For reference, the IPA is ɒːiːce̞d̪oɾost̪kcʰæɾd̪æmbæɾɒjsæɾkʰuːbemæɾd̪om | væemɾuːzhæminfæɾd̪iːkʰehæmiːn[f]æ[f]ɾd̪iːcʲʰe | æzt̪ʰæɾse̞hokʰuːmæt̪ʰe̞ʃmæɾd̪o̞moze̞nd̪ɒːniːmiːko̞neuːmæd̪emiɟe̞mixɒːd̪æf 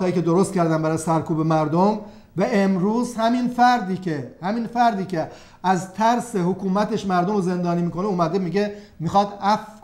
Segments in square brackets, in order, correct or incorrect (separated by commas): correct, incorrect